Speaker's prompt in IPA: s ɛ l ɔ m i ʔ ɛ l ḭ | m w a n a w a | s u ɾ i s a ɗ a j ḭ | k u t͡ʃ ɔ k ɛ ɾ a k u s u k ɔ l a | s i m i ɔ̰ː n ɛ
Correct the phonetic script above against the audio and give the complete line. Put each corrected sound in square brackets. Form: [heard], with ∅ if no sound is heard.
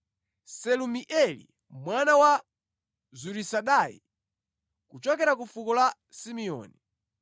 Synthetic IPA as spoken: s ɛ l [u] m i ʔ ɛ l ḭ | m w a n a w a | [z] u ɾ i s a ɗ a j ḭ | k u t͡ʃ ɔ k ɛ ɾ a k u [f] u k ɔ l a | s i m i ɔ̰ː n [i]